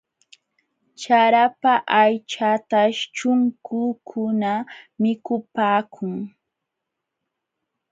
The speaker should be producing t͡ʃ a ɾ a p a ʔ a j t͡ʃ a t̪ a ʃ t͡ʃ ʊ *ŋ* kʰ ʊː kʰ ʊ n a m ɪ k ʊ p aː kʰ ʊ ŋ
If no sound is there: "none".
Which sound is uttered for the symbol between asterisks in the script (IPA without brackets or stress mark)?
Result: ŋ